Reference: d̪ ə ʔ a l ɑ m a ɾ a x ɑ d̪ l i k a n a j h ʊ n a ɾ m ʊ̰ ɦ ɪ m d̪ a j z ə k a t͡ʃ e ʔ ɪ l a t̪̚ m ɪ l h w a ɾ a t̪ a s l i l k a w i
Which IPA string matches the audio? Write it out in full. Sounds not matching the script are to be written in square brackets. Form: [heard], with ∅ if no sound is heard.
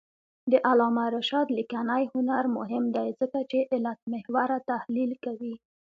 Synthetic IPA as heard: d̪ ə ʔ a l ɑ m a ɾ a [ʃ] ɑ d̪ l i k a n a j h ʊ n a ɾ m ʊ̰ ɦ ɪ m d̪ a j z ə k a t͡ʃ e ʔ ɪ l a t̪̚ m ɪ [∅] h w a ɾ a t̪ a [h] l i l k a w i